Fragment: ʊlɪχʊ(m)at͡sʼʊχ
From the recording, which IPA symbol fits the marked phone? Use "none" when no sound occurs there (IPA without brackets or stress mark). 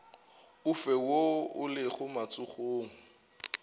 m